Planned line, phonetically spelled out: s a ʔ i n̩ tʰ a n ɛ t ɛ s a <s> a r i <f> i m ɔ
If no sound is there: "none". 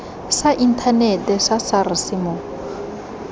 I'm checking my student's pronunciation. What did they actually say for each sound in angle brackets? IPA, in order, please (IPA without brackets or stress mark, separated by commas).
s, s